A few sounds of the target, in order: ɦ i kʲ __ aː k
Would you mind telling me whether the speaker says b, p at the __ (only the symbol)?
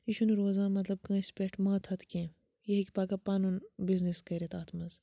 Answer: p